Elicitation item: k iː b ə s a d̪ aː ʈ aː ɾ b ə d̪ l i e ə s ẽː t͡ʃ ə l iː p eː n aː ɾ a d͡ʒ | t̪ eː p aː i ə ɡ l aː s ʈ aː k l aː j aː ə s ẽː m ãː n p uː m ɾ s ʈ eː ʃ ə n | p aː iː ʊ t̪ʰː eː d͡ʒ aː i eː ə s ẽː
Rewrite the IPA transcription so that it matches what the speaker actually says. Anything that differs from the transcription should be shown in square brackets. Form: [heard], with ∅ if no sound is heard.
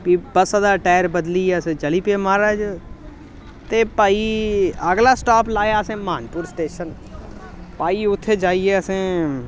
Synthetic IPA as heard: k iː b ə s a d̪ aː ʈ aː ɾ b ə d̪ l i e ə s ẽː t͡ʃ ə l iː p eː [m] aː ɾ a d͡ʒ | t̪ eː p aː i ə ɡ l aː s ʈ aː [p] l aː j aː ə s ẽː m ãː n p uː [∅] ɾ s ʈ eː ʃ ə n | p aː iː ʊ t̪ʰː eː d͡ʒ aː i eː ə s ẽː